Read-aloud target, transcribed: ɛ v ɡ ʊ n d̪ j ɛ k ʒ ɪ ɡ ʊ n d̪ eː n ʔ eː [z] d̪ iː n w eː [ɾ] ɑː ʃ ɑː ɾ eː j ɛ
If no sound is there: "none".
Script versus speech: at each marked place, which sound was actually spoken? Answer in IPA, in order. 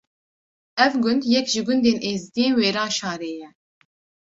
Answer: z, ɾ

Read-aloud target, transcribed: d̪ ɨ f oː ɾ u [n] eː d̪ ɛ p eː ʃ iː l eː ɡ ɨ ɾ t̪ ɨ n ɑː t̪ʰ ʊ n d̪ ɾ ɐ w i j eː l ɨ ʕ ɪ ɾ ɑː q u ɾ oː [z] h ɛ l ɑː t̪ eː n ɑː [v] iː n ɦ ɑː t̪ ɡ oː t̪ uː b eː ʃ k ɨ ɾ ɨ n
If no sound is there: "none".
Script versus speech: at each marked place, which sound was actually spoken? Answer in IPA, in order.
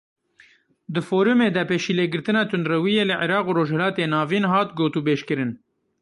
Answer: m, ʒ, v

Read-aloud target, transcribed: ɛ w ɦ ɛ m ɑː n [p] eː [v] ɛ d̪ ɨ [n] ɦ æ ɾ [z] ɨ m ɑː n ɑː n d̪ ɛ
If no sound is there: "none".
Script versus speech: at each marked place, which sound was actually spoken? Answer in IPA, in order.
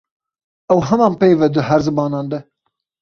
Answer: p, v, none, z

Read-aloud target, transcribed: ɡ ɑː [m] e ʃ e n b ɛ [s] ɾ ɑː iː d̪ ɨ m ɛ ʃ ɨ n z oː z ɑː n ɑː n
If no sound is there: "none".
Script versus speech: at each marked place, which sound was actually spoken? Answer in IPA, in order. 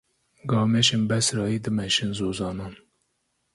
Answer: m, s

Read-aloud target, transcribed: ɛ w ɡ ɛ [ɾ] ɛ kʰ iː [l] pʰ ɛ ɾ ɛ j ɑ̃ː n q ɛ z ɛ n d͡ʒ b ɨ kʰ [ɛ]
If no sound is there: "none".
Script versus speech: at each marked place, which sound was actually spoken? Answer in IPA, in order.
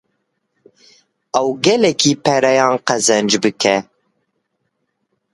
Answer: l, none, ɛ

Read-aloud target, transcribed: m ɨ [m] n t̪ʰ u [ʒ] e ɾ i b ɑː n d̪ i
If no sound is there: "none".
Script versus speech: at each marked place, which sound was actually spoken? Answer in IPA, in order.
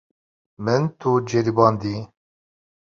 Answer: none, d͡ʒ

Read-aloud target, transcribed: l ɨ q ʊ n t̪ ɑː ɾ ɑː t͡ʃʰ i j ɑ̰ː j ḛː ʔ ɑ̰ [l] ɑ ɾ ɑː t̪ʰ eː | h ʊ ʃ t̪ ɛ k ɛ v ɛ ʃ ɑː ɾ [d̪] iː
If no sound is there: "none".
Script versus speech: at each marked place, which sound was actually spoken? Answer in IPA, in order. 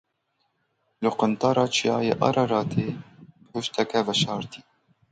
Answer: ɾ, t̪

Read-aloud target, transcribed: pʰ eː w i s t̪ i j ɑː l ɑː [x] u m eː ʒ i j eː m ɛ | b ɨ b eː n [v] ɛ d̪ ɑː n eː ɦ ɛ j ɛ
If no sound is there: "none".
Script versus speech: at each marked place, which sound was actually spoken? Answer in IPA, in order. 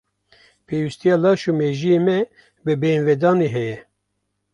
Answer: ʃ, v

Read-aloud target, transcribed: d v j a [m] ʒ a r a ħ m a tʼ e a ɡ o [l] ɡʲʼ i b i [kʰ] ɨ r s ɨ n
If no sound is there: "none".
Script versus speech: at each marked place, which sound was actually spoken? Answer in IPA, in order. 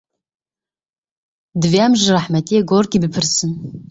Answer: m, r, pʰ

